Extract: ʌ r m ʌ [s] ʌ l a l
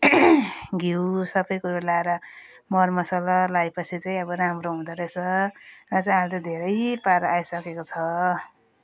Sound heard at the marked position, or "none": s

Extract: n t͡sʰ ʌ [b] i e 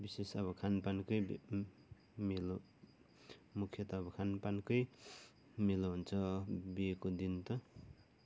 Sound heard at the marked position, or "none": b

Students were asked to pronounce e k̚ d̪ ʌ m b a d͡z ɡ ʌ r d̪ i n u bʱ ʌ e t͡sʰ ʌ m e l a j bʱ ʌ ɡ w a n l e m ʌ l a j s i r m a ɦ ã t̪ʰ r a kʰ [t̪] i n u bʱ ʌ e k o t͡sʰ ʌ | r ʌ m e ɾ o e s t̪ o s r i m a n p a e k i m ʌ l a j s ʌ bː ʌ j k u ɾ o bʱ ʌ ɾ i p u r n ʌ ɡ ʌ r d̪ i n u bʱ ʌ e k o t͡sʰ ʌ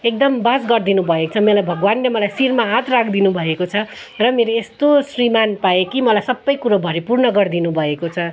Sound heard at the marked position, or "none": d̪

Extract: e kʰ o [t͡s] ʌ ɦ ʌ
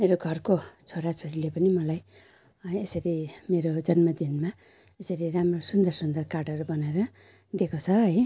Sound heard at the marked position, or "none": t͡sʰ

